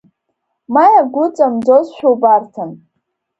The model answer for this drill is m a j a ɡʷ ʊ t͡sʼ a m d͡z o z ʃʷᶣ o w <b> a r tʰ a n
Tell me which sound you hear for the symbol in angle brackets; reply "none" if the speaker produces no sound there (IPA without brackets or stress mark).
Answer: b